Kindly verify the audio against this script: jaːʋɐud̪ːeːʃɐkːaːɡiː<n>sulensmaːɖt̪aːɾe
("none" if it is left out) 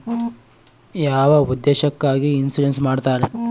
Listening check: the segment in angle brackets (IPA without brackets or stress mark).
n